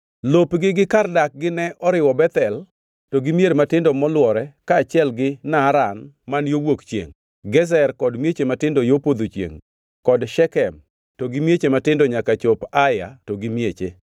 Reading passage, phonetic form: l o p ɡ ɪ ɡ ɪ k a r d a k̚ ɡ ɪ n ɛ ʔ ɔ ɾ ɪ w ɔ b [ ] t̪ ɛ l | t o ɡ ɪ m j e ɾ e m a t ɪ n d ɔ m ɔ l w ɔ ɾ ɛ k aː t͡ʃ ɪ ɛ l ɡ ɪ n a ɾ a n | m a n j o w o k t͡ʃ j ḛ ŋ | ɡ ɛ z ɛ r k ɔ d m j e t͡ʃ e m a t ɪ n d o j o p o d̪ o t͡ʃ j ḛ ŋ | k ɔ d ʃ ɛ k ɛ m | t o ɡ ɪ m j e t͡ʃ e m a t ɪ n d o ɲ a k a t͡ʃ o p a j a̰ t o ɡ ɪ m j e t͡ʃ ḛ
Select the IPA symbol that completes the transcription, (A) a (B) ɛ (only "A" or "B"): B